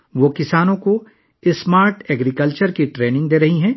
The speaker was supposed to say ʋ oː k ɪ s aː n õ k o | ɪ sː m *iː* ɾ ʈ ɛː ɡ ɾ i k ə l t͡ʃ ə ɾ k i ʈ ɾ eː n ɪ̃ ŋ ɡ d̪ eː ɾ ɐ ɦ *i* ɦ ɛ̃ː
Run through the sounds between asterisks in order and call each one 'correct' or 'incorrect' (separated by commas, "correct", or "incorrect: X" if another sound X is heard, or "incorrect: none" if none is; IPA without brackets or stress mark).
incorrect: aː, correct